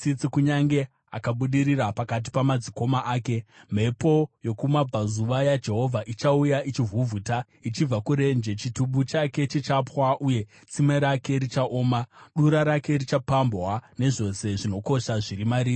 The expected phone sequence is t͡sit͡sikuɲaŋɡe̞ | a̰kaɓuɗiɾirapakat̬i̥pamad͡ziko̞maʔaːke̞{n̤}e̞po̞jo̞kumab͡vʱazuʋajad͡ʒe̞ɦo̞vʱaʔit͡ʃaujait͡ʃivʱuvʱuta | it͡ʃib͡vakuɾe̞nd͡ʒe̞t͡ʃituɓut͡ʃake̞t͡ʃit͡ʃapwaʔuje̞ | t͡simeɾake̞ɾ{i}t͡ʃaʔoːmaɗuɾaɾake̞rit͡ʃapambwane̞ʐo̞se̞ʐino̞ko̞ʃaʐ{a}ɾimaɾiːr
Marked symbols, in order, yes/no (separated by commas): no, yes, no